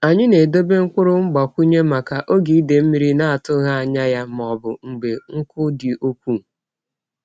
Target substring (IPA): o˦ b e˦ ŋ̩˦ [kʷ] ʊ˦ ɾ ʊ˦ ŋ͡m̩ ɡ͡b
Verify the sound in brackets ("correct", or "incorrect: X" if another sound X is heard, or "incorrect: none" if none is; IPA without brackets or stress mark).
correct